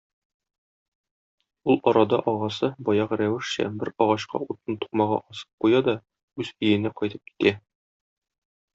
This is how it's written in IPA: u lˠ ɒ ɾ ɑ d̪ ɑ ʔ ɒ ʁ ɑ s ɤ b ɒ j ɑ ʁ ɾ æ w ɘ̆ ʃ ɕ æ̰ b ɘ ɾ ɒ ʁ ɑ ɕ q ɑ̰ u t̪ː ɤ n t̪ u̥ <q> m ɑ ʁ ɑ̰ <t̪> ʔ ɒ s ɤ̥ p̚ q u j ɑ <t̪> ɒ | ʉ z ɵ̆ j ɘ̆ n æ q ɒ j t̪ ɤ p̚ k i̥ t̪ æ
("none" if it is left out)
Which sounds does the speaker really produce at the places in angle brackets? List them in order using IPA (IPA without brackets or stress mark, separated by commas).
q, none, d̪